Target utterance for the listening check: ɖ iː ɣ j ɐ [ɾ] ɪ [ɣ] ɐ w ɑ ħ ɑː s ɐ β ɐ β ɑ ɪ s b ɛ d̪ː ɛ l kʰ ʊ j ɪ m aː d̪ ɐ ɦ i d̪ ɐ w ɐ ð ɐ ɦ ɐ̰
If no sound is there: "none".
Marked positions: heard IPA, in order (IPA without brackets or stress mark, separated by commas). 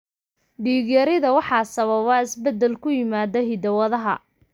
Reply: ɾ, ð